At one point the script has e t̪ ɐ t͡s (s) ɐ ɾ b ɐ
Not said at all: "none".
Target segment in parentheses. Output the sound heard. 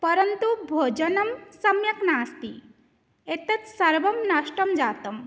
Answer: s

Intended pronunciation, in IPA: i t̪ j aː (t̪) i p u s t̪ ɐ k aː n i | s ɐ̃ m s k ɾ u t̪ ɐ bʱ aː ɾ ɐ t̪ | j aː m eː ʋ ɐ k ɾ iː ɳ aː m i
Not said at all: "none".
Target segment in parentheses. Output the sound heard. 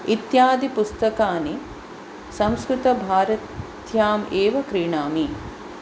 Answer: d̪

